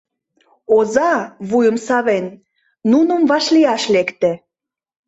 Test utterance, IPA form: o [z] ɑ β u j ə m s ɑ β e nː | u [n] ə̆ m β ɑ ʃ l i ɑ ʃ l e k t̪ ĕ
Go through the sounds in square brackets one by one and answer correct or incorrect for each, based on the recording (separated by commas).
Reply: correct, correct